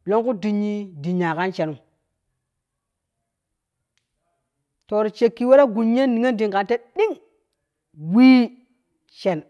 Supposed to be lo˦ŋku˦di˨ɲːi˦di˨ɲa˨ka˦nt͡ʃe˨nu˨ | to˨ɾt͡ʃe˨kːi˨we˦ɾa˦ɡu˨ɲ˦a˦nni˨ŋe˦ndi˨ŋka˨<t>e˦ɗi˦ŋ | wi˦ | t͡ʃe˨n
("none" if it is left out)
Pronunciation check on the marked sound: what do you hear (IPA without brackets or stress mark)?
t